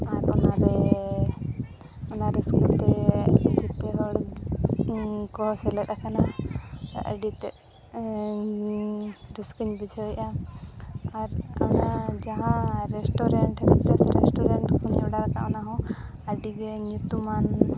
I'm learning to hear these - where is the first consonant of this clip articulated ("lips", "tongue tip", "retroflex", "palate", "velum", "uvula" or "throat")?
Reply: tongue tip